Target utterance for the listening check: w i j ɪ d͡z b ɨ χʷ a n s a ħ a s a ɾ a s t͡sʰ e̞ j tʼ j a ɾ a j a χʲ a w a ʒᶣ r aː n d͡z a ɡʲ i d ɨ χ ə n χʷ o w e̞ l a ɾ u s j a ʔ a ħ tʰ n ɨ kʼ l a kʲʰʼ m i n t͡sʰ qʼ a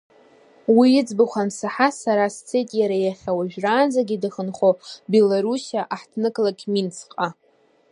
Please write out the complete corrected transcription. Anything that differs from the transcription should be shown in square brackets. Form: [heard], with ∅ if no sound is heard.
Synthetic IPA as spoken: w i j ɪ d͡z b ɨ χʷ a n s a ħ a s a ɾ a s t͡sʰ e̞ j tʼ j a ɾ a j a χʲ a w a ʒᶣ r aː n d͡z a ɡʲ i d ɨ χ ə n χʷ o [b] e̞ l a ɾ u s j a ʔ a ħ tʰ n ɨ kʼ l a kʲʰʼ m i n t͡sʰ qʼ a